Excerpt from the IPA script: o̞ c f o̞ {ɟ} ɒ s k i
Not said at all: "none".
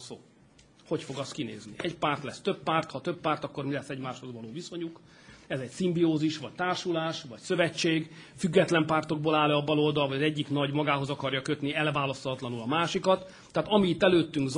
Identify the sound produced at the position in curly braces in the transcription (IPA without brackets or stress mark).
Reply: ɡ